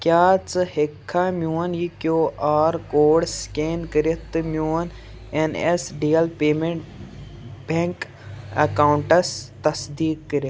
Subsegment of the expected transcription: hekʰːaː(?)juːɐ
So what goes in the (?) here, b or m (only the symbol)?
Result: m